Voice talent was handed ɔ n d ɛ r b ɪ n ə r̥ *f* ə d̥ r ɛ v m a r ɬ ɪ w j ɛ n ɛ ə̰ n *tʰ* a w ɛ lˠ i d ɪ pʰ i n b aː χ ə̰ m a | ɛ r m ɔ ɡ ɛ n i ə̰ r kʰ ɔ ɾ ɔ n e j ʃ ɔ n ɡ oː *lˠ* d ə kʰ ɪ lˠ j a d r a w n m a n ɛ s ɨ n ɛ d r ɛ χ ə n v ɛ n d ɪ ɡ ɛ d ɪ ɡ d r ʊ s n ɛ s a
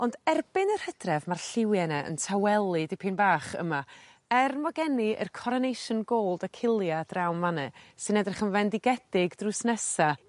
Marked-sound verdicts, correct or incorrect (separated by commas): incorrect, correct, correct